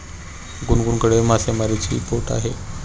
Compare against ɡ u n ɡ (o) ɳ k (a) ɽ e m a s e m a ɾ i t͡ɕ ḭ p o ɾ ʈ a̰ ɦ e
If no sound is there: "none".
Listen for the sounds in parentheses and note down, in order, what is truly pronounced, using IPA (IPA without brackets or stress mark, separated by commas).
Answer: u, ə